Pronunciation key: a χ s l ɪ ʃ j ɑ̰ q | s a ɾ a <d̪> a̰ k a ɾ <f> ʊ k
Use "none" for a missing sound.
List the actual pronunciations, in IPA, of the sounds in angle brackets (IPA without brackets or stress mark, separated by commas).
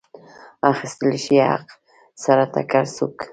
t̪, s